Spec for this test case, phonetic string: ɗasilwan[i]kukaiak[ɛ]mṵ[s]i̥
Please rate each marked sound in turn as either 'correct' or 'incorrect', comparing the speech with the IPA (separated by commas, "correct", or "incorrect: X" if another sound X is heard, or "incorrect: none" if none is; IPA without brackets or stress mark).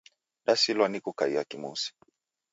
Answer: correct, incorrect: i, correct